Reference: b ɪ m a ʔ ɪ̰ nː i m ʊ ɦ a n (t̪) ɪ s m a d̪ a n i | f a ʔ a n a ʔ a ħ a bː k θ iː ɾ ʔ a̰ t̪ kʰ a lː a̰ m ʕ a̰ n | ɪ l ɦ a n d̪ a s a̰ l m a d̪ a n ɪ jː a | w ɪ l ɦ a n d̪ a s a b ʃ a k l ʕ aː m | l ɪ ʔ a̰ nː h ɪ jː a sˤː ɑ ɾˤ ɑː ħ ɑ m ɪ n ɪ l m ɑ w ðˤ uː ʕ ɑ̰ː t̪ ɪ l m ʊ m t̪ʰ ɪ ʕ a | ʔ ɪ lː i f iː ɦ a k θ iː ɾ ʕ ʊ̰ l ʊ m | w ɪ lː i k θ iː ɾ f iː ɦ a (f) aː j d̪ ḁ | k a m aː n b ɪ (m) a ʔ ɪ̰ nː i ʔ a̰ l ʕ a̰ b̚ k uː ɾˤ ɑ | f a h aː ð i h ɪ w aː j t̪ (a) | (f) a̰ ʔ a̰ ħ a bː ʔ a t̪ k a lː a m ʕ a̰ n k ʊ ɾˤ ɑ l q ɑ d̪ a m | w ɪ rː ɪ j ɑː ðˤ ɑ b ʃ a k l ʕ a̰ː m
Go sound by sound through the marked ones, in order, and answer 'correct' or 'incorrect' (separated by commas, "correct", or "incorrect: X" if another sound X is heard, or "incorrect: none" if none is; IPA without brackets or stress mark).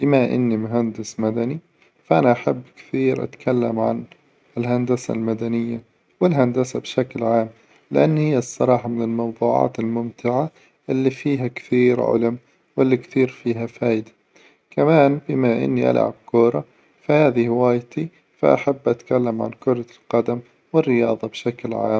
incorrect: d̪, correct, correct, incorrect: i, correct